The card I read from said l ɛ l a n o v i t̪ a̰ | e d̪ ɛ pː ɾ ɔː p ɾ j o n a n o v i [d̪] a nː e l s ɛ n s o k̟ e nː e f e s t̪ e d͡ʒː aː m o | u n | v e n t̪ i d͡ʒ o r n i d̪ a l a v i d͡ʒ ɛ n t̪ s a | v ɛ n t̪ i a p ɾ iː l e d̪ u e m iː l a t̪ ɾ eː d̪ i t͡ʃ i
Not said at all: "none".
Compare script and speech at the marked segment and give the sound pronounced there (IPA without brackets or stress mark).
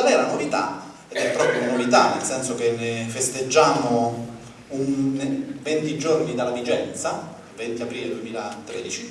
t̪